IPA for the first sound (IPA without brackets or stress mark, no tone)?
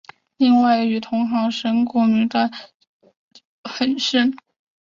l